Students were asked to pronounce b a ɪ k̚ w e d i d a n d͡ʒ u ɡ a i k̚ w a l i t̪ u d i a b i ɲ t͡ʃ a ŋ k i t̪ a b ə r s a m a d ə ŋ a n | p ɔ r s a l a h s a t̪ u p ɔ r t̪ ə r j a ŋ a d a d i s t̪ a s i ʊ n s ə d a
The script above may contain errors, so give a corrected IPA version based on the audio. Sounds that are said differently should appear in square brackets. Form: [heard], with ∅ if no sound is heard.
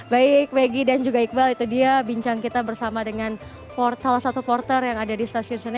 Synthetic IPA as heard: b a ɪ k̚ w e [ɡ] i d a n d͡ʒ u ɡ a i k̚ [b] a l i t̪ u d i a b i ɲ t͡ʃ a ŋ k i t̪ a b ə r s a m a d ə ŋ a n | p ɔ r s a l a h s a t̪ u p ɔ r t̪ ə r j a ŋ a d a d i s t̪ a s i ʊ n s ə [n] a